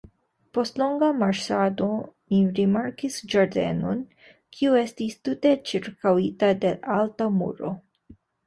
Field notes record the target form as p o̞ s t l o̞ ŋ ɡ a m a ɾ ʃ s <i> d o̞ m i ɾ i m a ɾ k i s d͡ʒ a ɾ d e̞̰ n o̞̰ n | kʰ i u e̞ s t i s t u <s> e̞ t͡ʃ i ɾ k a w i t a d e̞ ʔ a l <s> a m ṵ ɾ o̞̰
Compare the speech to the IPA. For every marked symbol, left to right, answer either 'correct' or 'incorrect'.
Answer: incorrect, incorrect, incorrect

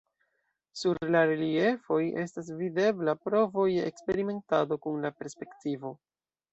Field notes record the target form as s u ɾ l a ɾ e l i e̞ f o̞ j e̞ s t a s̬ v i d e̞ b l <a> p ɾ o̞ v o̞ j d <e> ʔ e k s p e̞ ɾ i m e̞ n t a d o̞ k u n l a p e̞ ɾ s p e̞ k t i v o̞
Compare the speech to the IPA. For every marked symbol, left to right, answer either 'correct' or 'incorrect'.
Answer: correct, correct

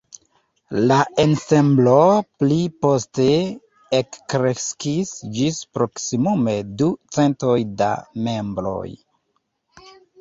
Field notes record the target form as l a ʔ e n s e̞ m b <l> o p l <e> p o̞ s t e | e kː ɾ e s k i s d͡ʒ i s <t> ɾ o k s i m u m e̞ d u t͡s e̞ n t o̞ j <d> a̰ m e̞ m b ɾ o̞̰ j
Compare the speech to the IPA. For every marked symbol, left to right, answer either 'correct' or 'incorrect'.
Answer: correct, incorrect, incorrect, correct

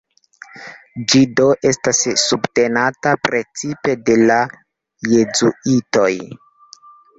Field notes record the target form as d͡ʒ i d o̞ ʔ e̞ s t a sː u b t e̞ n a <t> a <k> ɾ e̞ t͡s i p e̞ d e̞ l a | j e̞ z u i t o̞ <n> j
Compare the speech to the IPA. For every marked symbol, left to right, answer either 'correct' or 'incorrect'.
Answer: correct, incorrect, incorrect

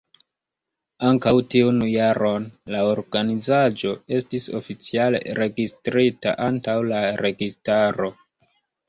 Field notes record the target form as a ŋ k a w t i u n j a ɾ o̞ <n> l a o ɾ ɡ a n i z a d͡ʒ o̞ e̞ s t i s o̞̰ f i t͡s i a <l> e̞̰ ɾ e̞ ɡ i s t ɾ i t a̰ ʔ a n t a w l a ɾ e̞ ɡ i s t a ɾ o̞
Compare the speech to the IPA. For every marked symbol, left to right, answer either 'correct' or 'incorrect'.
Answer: correct, correct

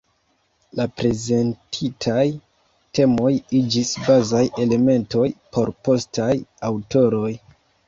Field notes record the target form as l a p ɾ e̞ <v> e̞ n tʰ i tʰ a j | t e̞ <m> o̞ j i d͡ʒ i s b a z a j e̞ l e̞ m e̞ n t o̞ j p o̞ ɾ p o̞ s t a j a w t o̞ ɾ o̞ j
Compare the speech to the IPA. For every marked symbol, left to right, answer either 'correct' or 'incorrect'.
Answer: incorrect, correct

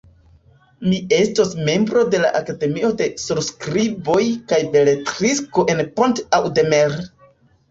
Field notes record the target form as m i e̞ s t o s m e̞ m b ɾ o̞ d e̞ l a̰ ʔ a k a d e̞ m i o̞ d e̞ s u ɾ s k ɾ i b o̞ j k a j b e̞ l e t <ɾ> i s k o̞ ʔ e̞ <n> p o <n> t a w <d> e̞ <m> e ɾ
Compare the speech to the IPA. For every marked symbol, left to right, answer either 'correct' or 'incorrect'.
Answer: correct, correct, correct, correct, correct

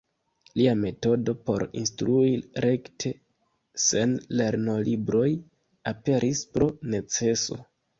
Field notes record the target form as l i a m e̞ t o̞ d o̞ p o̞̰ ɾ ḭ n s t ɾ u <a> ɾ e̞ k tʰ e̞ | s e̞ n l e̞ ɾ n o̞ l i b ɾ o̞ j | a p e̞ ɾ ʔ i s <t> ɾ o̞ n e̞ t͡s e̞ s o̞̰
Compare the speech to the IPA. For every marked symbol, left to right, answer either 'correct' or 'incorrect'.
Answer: incorrect, incorrect

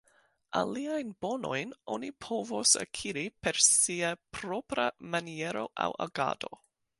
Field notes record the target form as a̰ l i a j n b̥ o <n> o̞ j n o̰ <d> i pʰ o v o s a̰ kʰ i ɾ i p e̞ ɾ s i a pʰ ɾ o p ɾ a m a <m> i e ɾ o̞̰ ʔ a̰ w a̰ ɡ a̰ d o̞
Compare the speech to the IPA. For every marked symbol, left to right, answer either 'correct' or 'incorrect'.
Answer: correct, incorrect, incorrect

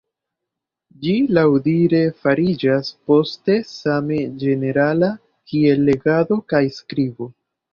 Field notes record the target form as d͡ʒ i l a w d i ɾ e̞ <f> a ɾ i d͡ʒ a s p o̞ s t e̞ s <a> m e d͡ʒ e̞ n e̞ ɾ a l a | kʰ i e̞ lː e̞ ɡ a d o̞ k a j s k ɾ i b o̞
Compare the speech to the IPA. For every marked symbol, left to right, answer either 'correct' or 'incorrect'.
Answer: correct, correct

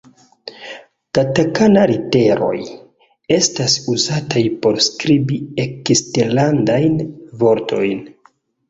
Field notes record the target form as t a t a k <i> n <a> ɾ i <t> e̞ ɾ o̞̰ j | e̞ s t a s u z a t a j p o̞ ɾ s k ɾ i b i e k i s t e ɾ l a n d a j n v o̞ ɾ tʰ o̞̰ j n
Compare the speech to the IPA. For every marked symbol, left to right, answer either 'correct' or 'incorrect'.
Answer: incorrect, correct, correct

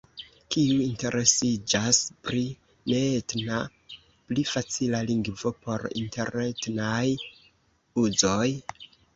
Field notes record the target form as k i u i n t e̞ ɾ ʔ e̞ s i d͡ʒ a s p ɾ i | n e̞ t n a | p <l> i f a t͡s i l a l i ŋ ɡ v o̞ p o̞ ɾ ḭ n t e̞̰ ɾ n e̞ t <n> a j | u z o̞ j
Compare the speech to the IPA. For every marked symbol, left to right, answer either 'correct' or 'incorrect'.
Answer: correct, correct

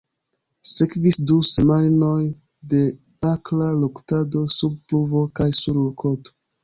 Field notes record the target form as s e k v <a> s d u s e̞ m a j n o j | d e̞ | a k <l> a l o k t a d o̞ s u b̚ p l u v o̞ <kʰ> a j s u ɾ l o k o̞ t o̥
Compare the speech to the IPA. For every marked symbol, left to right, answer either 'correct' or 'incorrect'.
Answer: incorrect, correct, incorrect

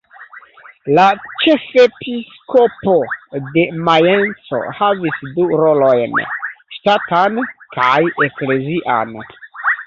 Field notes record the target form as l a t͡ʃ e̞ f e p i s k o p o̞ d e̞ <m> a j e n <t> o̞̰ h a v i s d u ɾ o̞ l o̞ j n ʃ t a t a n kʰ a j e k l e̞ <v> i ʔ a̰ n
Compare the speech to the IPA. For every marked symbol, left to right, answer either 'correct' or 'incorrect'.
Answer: correct, incorrect, incorrect

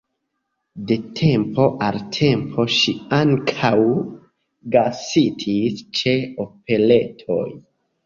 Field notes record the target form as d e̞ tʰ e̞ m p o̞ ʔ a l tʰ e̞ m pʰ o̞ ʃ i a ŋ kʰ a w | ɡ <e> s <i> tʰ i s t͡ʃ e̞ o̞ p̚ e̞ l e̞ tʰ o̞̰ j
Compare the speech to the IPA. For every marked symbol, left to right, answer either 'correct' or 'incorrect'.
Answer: incorrect, correct

